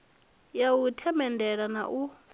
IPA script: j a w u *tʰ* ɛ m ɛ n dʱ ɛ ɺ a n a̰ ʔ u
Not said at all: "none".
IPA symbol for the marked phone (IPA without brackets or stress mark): tʰ